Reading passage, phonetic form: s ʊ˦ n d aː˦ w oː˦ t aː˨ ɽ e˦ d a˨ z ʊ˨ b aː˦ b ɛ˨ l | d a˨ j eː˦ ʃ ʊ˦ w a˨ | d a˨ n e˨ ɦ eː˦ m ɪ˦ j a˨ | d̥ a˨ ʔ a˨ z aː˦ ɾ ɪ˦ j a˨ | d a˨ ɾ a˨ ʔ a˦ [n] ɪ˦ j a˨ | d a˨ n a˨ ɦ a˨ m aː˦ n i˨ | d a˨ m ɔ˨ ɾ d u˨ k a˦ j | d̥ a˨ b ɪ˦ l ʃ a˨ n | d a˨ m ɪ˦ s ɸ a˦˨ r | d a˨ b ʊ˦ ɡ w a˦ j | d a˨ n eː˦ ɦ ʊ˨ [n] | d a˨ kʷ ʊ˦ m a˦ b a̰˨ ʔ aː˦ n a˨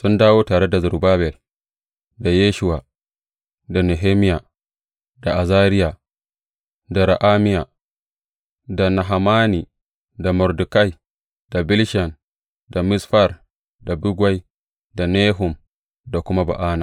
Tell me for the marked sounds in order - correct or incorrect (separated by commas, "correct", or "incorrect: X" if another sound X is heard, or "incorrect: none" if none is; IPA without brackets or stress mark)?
incorrect: m, incorrect: m